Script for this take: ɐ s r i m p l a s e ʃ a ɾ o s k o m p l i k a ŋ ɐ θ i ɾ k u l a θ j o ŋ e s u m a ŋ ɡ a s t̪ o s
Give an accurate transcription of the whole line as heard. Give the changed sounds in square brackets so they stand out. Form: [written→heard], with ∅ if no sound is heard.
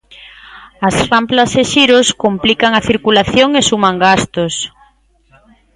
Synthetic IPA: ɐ s r [i→a] m p l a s e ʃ [a→i] ɾ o s k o m p l i k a ŋ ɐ θ i ɾ k u l a θ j o ŋ e s u m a ŋ ɡ a s t̪ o s